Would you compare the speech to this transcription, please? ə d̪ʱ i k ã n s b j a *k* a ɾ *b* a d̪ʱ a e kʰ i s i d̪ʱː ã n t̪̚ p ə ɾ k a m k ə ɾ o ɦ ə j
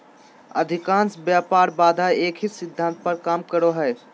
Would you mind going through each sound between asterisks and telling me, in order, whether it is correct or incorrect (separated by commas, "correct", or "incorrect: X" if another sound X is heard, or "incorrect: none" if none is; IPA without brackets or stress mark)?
incorrect: p, correct